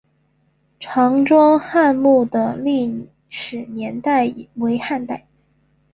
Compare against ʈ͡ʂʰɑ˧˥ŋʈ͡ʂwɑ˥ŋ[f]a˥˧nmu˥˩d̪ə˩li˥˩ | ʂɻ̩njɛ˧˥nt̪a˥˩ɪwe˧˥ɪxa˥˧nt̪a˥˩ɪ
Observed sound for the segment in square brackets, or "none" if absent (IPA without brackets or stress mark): x